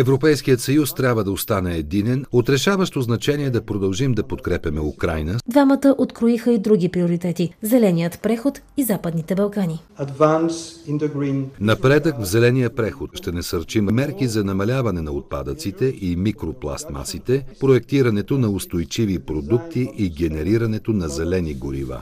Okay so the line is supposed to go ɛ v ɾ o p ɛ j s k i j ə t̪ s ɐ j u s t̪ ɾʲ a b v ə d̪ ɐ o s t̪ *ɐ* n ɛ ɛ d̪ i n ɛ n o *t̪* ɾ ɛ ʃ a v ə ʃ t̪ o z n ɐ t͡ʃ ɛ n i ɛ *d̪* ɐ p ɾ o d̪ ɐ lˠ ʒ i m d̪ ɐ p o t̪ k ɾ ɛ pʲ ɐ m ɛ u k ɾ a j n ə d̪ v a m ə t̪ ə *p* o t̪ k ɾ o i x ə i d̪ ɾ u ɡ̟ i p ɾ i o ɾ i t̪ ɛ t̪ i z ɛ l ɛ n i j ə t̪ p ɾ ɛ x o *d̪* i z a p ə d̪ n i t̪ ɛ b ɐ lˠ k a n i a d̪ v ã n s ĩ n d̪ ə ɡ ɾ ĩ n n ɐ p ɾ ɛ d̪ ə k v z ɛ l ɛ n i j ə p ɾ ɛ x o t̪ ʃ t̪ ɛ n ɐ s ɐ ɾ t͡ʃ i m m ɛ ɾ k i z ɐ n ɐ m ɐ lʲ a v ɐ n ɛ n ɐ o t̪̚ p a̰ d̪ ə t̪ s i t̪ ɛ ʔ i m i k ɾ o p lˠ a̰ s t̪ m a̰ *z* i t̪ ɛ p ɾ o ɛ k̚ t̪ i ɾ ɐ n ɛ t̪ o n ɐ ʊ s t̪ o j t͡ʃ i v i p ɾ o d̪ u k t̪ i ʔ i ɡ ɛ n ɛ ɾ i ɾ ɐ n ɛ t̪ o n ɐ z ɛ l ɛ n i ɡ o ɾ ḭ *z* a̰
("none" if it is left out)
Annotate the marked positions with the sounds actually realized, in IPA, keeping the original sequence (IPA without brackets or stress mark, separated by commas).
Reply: a, t̪, d̪, ʔ, t̪, s, v